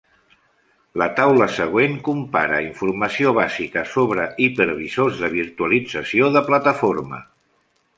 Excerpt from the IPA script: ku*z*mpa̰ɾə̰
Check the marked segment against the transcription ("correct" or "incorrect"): incorrect